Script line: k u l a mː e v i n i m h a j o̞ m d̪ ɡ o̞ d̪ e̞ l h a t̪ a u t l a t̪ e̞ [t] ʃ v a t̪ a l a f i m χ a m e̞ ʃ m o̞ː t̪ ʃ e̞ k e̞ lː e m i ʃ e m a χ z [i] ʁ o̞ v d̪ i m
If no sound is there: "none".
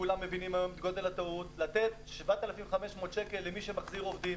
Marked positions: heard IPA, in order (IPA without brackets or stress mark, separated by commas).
t, i